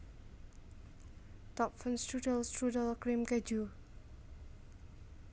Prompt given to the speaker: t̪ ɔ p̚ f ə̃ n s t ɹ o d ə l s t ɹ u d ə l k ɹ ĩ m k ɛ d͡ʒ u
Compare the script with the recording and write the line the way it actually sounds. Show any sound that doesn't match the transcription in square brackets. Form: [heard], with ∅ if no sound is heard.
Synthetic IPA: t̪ ɔ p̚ f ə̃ n s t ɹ [u] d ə l s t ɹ u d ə l k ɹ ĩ m k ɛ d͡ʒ u

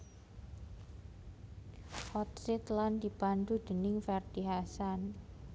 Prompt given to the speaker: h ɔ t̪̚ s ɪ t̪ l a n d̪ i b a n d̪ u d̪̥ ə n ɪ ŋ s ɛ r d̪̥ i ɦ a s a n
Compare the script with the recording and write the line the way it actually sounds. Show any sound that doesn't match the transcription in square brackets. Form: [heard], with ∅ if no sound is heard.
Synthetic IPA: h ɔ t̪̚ s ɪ t̪ l a n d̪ i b a n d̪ u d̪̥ ə n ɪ ŋ [f] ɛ r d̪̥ i ɦ a s a n

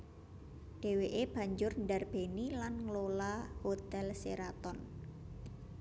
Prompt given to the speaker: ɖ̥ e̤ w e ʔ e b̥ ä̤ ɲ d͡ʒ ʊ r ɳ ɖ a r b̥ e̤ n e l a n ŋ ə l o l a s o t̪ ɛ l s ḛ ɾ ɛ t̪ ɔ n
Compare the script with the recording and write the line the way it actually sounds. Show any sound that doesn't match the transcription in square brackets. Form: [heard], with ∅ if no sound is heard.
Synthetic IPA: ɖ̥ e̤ w e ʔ e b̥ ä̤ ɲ d͡ʒ ʊ r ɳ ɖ a r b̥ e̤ n [i] l a n ŋ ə l o l a [h] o t̪ ɛ l s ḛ ɾ [a] t̪ ɔ n

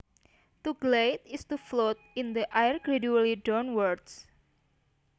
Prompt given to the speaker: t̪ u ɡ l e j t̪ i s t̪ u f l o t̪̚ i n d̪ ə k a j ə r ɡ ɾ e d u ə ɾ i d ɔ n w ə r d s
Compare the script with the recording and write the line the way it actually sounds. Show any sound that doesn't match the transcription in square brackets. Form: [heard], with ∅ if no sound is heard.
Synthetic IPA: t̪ u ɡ l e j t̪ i s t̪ u f l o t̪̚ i n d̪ ə [ʔ] a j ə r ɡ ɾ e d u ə [l] i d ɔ n w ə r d s

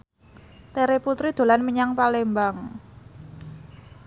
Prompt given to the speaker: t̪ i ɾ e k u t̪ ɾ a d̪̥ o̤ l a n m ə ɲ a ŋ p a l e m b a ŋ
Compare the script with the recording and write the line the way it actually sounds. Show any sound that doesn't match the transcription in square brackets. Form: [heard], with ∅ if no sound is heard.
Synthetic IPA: t̪ [e] ɾ e [p] u t̪ ɾ [i] d̪̥ o̤ l a n m ə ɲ a ŋ p a l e m b a ŋ

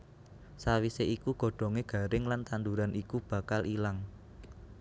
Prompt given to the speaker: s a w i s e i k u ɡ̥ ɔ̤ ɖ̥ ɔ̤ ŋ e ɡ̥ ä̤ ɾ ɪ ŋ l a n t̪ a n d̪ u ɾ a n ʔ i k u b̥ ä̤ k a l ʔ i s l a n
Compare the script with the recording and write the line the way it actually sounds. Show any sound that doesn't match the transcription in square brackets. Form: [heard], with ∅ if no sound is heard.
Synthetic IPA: s a w i s e i k u ɡ̥ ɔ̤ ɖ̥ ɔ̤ ŋ e ɡ̥ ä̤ ɾ ɪ ŋ l a n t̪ a n d̪ u ɾ a n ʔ i k u b̥ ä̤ k a l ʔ i [∅] l a [ŋ]

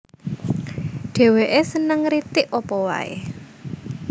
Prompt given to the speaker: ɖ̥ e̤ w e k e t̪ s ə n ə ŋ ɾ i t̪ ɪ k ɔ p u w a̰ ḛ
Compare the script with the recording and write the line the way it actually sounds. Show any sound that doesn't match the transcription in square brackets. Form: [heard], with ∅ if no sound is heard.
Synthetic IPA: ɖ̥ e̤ w e [ʔ] e [∅] s ə n ə ŋ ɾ i t̪ ɪ [ʔ] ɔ p [ɔ] w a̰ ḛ

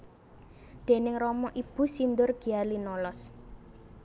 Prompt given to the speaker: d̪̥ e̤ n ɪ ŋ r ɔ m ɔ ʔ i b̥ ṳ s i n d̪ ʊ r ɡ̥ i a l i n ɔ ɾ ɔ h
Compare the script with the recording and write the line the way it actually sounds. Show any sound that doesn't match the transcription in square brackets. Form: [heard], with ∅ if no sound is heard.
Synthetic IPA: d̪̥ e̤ n ɪ ŋ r ɔ m ɔ ʔ i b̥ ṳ s i n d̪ ʊ r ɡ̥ i a l i n ɔ [l] ɔ [s]

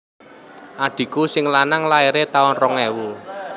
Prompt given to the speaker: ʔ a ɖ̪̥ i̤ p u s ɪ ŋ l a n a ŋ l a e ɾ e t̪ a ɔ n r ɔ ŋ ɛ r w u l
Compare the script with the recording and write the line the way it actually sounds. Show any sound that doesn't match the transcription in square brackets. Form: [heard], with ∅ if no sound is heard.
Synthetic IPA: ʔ a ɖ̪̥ i̤ [k] u s ɪ ŋ l a n a ŋ l a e ɾ e t̪ a ɔ n r ɔ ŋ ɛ [∅] w u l

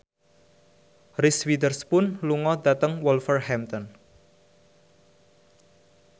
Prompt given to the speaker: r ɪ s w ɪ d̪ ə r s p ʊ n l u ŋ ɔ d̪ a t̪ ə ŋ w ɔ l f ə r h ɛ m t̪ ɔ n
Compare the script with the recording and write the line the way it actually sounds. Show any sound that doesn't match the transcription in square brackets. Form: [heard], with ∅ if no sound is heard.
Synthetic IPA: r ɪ s w [i] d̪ ə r s p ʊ n l u ŋ ɔ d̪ a t̪ ə ŋ w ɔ l f ə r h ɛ m t̪ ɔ n

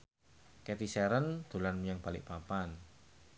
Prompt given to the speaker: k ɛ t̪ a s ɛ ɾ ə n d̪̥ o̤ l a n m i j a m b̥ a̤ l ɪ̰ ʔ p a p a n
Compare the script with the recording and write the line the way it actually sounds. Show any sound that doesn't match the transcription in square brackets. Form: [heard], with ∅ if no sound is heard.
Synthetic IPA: k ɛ t̪ [i] s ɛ ɾ ə n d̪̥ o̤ l a n m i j a [ŋ] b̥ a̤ l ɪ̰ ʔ p a p a n

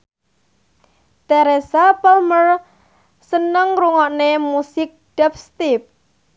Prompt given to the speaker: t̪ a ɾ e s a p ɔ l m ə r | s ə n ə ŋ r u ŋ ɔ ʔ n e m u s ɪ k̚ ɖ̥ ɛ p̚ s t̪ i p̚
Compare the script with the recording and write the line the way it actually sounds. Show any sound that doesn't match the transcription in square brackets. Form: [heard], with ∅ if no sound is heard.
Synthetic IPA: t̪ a ɾ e s a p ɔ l m ə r | s ə n ə ŋ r u ŋ ɔ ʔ n e m u s ɪ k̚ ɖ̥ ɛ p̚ s t̪ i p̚

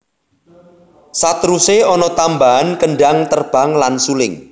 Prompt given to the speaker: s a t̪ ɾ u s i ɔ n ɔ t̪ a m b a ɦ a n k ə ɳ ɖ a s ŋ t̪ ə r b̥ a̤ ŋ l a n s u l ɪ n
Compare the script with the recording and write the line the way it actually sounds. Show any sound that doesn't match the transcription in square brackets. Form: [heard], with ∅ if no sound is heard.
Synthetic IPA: s a t̪ ɾ u s [e] ɔ n ɔ t̪ a m b a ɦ a n k ə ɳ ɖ a [∅] ŋ t̪ ə r b̥ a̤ ŋ l a n s u l ɪ [ŋ]

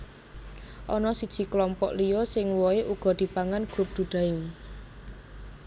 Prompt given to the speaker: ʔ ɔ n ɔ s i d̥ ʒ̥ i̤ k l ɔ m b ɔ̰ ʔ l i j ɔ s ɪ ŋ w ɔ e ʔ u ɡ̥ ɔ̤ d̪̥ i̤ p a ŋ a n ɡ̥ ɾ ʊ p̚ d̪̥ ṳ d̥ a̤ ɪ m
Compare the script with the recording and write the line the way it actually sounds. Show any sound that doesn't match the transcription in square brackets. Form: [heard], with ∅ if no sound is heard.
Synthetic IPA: ʔ ɔ n ɔ s i d̥ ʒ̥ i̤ k l ɔ m [p] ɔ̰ ʔ l i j ɔ s ɪ ŋ w ɔ e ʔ u ɡ̥ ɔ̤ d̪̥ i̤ p a ŋ a n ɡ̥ ɾ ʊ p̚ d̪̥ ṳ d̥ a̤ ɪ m

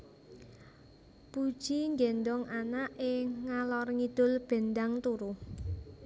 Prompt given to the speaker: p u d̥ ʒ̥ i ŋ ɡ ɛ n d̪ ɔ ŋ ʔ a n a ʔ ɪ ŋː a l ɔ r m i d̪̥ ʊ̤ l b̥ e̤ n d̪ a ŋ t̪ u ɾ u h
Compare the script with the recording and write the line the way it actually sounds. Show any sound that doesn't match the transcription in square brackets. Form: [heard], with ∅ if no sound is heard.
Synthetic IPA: p u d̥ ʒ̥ i ŋ ɡ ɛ n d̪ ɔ ŋ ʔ a n a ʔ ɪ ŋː a l ɔ r [ŋ] i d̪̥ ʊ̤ l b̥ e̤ n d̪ a ŋ t̪ u ɾ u h

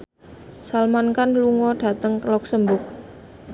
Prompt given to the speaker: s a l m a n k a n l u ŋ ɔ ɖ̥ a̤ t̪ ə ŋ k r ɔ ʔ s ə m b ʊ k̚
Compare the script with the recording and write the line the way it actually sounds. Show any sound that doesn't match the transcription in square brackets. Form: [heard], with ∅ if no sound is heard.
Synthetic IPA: s a l m a n k a n l u ŋ ɔ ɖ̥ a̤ t̪ ə ŋ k [l] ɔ [k] s ə m b ʊ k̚

